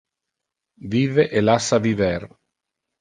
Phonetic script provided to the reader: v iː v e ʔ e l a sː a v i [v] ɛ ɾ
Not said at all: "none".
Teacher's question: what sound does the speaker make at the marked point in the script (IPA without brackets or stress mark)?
v